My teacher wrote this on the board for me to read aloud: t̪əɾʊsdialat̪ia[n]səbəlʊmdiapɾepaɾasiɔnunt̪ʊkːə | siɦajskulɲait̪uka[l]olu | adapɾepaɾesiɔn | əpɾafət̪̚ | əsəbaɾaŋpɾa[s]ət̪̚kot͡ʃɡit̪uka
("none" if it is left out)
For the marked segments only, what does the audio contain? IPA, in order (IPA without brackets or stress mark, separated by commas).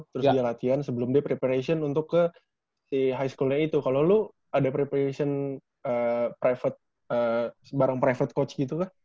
n, l, f